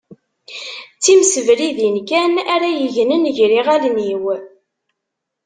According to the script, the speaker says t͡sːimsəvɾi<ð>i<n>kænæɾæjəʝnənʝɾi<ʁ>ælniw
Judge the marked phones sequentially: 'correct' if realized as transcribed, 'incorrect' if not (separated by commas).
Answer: correct, correct, correct